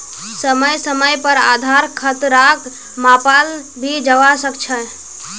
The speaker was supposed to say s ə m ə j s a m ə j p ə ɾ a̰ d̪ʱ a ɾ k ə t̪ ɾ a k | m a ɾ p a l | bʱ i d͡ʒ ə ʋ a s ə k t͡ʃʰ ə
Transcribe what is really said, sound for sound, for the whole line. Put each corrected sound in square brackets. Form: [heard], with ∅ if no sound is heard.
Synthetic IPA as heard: s ə m ə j s [ə] m ə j p ə ɾ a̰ d̪ʱ a ɾ [kʰ] ə t̪ ɾ a k | m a [∅] p a l | bʱ i d͡ʒ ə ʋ a s ə k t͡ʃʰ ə